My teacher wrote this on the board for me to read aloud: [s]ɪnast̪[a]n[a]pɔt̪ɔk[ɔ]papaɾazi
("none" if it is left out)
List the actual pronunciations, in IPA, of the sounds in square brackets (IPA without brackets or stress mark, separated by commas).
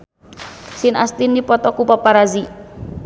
s, i, i, u